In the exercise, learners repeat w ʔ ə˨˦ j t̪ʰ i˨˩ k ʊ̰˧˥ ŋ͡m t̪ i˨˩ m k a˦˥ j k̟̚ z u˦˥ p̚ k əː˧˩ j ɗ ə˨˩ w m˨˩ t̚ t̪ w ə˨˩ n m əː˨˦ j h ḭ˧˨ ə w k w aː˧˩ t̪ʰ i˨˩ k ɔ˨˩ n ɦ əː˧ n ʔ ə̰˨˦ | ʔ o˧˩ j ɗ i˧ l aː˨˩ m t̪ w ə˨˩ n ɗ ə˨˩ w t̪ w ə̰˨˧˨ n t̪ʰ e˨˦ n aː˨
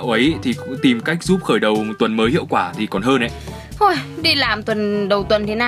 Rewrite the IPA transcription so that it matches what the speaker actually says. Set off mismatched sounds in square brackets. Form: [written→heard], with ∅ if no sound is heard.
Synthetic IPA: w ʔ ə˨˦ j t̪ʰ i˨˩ k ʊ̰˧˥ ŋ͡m t̪ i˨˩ m k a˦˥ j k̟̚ z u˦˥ p̚ [k→x] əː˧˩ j ɗ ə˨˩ w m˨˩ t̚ t̪ w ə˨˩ n m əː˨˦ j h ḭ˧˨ ə w k w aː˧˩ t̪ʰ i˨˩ k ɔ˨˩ n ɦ əː˧ n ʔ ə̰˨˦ | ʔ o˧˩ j ɗ i˧ l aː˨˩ m t̪ w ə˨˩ n ɗ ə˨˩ w t̪ w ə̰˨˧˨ n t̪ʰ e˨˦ n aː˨